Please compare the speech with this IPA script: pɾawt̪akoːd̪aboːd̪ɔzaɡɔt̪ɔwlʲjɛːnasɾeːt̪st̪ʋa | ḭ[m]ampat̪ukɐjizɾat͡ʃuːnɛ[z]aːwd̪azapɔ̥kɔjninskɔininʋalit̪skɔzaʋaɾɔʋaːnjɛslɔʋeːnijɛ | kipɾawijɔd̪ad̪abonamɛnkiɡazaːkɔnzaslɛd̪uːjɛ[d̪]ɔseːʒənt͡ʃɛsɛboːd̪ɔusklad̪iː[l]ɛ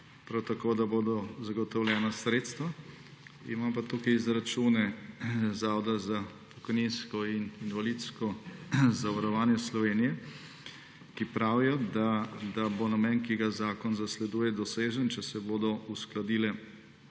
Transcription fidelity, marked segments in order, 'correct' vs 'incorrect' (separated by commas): correct, correct, correct, correct